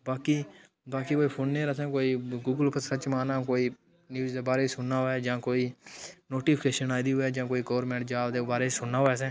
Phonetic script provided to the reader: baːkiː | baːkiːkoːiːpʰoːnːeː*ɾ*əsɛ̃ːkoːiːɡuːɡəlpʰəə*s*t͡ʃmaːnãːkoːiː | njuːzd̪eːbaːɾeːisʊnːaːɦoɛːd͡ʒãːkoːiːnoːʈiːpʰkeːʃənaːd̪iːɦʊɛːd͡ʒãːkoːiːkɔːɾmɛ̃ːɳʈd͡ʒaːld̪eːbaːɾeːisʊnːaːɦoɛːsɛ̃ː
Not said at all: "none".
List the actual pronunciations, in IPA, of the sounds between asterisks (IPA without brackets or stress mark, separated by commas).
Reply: ɾ, none